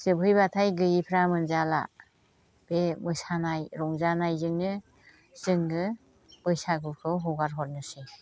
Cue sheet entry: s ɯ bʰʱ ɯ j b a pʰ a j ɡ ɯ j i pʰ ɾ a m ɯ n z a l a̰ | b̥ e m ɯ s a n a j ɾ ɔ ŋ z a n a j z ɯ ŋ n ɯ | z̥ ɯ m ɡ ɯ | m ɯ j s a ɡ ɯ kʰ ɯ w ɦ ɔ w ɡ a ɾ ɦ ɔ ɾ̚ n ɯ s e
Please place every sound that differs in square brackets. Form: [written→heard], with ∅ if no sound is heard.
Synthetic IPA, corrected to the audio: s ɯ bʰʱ ɯ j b a [pʰ→tʰ] a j ɡ ɯ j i pʰ ɾ a m ɯ n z a l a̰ | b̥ e m ɯ s a n a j ɾ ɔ ŋ z a n a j z ɯ ŋ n ɯ | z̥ ɯ [m→ŋ] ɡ ɯ | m ɯ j s a ɡ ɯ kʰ ɯ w ɦ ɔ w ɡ a ɾ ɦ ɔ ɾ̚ n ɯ s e